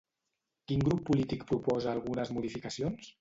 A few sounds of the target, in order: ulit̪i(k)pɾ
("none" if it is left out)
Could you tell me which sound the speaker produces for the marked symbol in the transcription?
k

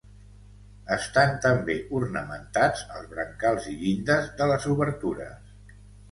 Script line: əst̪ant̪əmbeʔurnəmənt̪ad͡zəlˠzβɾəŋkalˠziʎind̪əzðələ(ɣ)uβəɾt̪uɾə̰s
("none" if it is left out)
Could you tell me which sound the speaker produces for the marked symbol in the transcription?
z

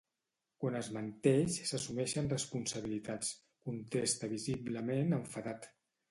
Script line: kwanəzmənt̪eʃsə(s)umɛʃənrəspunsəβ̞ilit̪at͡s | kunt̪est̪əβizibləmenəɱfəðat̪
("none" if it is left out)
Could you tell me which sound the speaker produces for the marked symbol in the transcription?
s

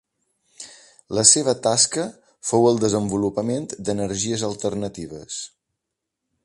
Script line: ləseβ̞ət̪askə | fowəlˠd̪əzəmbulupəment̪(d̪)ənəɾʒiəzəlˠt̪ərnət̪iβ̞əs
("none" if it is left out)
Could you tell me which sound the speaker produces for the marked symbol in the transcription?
d̪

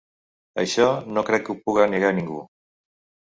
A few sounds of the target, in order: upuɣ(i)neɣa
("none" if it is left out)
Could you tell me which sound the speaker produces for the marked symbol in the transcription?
a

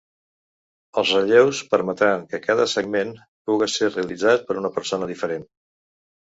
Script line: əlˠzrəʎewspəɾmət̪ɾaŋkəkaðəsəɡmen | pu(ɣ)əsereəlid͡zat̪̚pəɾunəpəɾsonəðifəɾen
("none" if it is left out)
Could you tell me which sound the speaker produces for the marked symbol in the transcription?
ɣ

